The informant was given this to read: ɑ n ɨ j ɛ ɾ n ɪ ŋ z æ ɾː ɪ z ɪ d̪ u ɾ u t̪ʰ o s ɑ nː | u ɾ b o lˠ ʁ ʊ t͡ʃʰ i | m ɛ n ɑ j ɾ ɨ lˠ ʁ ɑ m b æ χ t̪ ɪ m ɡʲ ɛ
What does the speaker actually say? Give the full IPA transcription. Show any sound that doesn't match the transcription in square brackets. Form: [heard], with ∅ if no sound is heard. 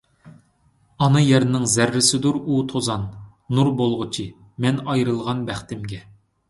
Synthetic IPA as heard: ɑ n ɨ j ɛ ɾ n ɪ ŋ z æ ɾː ɪ [s] ɪ d̪ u ɾ u t̪ʰ o [z] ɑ nː | u ɾ b o lˠ ʁ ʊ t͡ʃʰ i | m ɛ n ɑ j ɾ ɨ lˠ ʁ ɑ [n] b æ χ t̪ ɪ m ɡʲ ɛ